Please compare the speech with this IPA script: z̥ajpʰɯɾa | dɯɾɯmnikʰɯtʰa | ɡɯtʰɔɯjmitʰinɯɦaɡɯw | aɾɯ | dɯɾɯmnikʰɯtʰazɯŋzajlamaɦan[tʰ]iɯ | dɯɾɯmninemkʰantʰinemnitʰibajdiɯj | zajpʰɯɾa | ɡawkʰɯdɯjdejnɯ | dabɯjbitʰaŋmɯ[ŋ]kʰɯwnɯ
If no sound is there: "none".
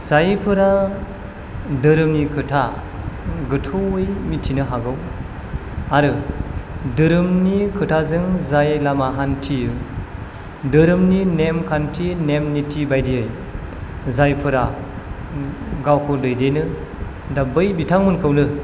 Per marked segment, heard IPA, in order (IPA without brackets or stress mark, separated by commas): tʰ, n